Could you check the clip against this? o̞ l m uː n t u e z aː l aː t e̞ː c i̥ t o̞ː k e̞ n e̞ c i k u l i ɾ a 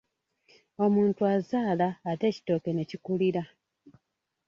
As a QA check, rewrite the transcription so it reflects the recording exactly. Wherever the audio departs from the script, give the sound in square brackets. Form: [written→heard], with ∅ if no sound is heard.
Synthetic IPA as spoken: o̞ [l→∅] m uː n t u [e→a] z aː l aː t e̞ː c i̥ t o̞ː k e̞ n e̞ c i k u l i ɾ a

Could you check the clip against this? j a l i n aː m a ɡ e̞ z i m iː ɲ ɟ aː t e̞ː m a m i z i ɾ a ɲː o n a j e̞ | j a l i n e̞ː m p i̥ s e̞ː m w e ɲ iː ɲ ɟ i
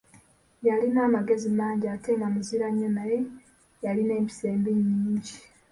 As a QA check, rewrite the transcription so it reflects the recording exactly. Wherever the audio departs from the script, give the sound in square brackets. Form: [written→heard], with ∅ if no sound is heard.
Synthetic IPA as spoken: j a l i n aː m a ɡ e̞ z i m [iː→aː] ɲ ɟ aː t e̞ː m a m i z i ɾ a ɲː o n a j e̞ | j a l i n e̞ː m p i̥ s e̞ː m [w→b] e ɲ iː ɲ ɟ i

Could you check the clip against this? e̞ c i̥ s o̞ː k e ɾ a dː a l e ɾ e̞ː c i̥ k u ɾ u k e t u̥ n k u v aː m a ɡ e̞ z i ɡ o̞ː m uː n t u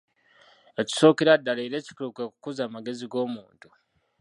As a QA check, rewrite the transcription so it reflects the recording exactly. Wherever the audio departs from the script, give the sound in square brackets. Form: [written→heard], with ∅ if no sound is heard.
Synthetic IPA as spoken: e̞ c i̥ s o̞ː k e ɾ a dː a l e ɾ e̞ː c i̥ k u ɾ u k e [t→k] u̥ [n→∅] k u [v→z] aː m a ɡ e̞ z i ɡ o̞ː m uː n t u

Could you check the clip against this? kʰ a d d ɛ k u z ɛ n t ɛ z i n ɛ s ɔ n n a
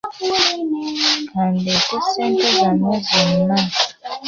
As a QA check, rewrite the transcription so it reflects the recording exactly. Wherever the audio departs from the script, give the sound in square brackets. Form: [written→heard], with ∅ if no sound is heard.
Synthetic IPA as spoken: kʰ a [d→n] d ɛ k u [z→s] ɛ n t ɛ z [i→a] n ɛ [s→z] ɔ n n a

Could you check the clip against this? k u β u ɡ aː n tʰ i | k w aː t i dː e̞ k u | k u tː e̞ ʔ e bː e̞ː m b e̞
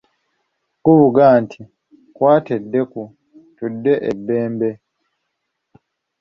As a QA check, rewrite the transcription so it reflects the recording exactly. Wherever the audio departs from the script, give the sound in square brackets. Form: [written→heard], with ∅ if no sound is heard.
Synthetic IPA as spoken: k u β u ɡ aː n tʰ i | k w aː t [i→e] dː e̞ k u | [k→t] u [tː→dː] e̞ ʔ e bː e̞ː m b e̞

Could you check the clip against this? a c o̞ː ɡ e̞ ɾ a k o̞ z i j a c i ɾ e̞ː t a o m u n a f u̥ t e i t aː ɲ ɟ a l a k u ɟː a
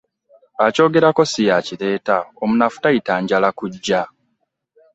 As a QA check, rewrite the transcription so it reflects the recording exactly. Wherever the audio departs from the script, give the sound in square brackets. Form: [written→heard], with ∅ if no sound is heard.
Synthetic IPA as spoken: a c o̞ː ɡ e̞ ɾ a k o̞ [z→s] i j a c i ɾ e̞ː t a o m u n a f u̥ t [e→a] i t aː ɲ ɟ a l a k u ɟː a

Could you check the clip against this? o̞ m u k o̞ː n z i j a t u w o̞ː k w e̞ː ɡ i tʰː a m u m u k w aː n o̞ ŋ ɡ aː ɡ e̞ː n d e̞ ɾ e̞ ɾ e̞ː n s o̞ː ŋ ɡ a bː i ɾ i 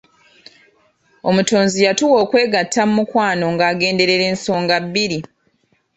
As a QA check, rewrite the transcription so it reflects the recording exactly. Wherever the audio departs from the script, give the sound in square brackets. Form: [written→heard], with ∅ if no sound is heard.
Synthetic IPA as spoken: o̞ m u [k→t] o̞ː n z i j a t u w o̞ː k w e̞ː ɡ [i→a] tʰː a m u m u k w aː n o̞ ŋ ɡ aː ɡ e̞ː n d e̞ ɾ e̞ ɾ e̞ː n s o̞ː ŋ ɡ a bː i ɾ i

